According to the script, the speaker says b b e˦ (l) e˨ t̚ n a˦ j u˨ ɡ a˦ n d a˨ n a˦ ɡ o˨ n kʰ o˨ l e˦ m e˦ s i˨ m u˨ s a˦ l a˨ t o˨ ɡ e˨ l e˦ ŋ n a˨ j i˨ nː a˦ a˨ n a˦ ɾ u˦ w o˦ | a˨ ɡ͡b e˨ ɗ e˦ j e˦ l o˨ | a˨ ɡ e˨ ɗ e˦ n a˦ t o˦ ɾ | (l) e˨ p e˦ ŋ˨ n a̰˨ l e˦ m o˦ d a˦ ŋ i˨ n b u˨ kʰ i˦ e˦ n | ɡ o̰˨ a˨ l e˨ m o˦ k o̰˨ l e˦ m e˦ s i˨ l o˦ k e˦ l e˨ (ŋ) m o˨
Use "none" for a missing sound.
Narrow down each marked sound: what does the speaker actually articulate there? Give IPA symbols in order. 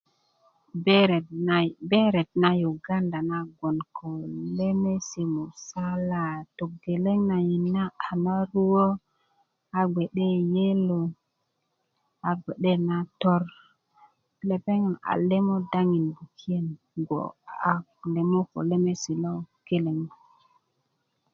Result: ɾ, l, ŋ

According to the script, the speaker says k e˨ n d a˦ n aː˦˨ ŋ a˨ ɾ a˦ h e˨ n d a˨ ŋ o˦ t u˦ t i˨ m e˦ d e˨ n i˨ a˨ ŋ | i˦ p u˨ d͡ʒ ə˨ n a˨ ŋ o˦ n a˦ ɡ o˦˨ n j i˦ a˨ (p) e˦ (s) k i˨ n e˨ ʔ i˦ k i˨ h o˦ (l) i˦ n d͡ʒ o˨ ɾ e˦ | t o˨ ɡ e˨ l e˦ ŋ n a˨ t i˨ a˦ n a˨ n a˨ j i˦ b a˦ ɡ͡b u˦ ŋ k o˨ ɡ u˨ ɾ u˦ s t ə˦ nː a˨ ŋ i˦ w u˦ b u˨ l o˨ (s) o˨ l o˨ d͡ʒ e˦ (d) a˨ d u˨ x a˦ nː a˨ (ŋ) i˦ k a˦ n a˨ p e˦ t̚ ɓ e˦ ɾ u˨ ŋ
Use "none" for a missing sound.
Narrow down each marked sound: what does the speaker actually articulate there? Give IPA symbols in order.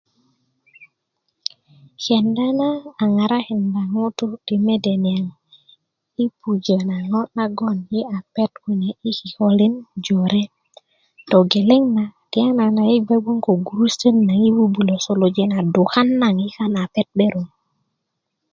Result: p, t, l, s, n, ŋ

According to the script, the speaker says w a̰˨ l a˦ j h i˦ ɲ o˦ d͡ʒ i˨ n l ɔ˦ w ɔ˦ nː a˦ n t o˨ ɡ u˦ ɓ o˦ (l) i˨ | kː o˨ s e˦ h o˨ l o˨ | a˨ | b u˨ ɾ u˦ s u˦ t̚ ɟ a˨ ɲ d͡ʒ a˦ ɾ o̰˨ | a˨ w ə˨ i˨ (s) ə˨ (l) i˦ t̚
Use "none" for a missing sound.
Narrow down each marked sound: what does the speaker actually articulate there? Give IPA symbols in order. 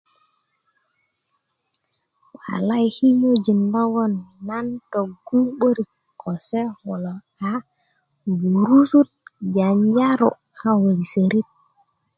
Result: ɾ, s, ɾ

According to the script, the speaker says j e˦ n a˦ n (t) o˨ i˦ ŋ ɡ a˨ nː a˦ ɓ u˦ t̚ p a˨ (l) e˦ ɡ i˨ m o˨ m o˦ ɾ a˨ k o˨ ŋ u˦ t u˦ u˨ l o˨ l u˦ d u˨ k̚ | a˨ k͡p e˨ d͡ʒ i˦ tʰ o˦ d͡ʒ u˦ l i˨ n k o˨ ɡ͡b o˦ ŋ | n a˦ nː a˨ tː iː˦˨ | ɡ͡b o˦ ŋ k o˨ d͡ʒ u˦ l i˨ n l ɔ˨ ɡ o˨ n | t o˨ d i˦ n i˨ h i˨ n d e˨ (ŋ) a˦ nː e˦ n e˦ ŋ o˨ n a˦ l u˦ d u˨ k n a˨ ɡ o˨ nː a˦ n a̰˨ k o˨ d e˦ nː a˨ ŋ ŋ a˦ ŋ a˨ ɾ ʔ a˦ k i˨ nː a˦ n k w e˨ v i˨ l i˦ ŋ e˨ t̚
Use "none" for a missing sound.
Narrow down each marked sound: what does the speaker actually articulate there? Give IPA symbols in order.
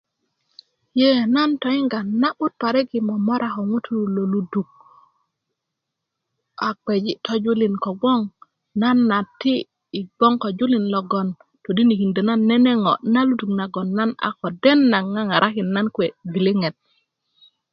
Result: t, ɾ, n

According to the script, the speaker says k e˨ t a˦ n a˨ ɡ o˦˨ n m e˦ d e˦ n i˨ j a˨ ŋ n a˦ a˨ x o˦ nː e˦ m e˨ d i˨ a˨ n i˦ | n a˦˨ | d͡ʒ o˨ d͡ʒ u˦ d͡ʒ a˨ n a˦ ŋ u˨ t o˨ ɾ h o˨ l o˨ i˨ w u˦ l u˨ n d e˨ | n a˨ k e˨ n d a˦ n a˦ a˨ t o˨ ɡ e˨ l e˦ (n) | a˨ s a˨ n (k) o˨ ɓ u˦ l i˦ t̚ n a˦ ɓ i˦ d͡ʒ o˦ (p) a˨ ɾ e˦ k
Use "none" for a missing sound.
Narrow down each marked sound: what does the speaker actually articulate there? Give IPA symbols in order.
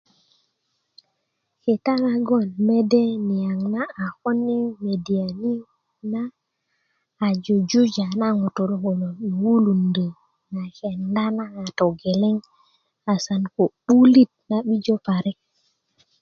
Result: ŋ, k, p

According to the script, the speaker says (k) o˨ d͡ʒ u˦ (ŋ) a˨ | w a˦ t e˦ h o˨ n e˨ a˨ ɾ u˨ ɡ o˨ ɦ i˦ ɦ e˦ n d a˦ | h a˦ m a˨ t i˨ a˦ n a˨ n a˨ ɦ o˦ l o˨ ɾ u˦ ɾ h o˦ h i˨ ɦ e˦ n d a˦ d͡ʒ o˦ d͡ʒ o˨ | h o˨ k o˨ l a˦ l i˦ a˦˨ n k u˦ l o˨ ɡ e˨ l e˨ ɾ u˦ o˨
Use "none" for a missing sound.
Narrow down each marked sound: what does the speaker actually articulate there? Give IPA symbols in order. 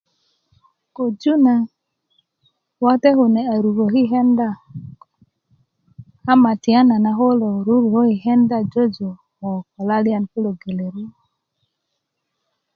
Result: k, n

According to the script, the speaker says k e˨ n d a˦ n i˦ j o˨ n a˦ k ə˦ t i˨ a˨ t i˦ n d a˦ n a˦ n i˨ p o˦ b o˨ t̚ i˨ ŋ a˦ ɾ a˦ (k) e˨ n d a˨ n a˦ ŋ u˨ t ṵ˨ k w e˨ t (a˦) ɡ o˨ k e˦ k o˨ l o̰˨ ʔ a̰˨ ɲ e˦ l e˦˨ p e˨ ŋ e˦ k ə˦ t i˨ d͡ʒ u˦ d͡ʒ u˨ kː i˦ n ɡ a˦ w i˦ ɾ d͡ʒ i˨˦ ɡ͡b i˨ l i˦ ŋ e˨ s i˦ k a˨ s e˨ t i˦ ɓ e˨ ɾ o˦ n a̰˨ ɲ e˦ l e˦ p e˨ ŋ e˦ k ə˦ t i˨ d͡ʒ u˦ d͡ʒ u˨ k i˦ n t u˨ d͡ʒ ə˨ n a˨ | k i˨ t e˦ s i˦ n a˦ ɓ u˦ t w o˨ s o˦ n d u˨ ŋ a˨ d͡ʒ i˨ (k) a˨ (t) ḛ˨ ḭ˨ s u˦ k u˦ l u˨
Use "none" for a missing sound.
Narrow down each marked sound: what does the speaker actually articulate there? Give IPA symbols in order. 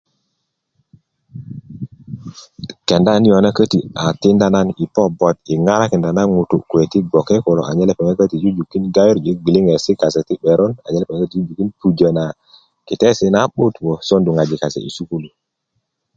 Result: k, i˦, k, s

